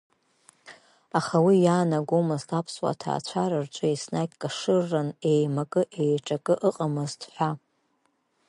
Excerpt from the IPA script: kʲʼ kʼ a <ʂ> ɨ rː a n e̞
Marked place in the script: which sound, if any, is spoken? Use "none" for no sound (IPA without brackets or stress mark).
ʂ